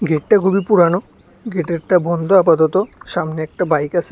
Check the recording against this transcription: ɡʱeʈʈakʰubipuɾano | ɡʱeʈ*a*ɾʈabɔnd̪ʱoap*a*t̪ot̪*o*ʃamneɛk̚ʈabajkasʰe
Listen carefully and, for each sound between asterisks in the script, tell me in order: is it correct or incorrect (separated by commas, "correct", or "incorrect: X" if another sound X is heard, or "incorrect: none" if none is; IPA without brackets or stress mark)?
incorrect: e, correct, correct